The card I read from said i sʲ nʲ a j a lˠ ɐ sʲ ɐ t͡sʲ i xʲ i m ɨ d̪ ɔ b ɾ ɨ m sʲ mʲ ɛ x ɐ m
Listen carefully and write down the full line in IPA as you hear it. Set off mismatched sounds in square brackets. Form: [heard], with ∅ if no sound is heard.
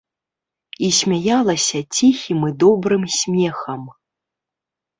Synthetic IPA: i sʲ [mʲ] a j a lˠ ɐ sʲ ɐ t͡sʲ i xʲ i m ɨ d̪ ɔ b ɾ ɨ m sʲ mʲ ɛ x ɐ m